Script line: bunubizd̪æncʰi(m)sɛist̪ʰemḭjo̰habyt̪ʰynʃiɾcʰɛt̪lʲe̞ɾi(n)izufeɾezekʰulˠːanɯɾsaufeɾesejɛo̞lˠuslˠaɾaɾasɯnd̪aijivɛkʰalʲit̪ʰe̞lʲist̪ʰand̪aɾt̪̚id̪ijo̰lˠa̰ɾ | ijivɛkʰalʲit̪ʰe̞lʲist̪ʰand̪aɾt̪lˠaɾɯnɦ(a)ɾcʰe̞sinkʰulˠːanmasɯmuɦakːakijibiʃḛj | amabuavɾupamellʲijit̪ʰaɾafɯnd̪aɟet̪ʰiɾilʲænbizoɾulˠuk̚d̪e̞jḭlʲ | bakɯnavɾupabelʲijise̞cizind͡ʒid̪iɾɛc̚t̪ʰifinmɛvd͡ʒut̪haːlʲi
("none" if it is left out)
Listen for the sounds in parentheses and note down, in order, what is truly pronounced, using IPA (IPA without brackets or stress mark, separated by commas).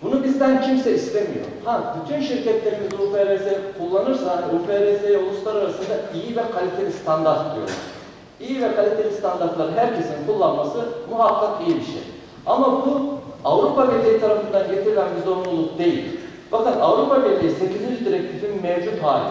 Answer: m, m, æ